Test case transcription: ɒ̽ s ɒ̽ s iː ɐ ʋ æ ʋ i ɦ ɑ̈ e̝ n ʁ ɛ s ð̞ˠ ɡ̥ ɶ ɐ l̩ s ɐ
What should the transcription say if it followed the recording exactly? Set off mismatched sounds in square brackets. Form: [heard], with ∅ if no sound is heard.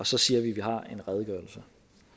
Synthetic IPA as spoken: ɒ̽ s ɒ̽ s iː ɐ ʋ [i] ʋ i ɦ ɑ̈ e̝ n ʁ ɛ [∅] ð̞ˠ ɡ̥ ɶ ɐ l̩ s [ə]